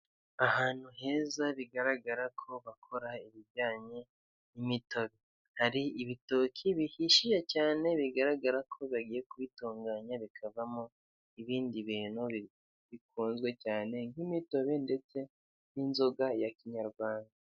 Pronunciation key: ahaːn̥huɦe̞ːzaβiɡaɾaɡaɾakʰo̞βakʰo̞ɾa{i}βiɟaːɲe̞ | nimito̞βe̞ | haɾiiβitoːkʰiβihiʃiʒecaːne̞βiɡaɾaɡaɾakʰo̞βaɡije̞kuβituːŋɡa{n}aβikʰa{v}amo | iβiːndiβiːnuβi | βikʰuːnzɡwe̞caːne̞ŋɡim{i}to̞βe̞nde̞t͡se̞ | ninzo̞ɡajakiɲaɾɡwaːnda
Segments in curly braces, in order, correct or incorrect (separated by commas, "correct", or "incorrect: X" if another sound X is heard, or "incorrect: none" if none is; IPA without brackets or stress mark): correct, incorrect: ɲ, correct, correct